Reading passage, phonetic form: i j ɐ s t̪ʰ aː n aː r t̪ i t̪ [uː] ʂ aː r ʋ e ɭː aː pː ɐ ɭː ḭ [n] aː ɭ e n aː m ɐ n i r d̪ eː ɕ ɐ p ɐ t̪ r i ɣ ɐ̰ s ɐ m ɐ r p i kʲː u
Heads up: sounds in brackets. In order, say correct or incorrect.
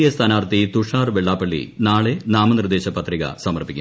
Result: incorrect, correct

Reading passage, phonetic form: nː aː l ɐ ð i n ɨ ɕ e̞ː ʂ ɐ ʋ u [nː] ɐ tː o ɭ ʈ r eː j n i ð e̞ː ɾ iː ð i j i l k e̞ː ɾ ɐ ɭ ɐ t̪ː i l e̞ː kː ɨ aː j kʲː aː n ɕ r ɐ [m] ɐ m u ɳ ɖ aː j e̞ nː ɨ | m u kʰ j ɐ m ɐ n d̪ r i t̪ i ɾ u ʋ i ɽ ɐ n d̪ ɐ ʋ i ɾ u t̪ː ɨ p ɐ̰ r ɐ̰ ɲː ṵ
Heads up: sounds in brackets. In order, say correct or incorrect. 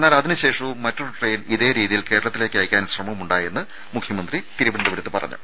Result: incorrect, correct

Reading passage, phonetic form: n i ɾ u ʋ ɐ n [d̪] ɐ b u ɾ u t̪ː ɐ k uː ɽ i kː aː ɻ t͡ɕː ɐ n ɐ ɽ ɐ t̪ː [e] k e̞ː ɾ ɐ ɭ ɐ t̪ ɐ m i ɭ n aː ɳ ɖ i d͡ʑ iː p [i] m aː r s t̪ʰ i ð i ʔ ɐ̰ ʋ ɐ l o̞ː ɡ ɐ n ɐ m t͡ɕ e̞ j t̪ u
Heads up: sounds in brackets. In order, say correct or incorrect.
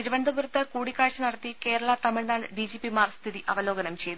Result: correct, incorrect, correct

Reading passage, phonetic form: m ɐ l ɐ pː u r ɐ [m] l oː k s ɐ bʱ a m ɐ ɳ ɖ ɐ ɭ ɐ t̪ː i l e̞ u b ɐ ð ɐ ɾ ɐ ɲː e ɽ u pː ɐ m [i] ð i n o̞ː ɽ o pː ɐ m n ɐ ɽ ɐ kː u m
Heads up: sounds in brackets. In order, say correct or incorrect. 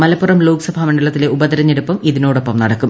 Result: correct, correct

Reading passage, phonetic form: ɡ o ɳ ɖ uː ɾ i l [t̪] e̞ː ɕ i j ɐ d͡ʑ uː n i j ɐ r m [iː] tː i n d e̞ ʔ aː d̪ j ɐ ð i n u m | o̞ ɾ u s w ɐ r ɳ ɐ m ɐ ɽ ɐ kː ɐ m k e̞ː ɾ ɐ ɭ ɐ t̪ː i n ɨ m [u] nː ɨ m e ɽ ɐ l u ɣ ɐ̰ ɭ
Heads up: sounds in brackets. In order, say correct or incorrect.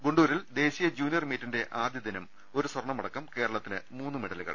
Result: incorrect, correct, incorrect

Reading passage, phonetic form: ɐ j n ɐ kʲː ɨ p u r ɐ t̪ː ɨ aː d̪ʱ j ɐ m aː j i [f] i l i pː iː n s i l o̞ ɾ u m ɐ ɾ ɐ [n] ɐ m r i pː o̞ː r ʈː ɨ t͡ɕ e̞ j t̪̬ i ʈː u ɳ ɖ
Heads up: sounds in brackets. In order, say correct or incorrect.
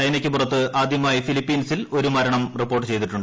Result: correct, incorrect

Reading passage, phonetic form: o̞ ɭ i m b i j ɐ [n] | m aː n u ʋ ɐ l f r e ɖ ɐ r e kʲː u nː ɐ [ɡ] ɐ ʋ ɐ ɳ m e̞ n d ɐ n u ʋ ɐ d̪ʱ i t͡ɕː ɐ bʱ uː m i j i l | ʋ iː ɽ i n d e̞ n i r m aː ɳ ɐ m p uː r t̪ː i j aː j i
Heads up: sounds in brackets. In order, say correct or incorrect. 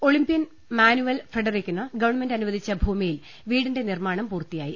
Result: correct, correct

